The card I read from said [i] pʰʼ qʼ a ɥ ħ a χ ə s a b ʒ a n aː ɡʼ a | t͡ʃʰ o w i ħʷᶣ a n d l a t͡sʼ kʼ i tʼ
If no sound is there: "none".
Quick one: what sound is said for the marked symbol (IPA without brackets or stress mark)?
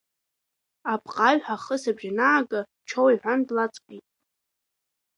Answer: a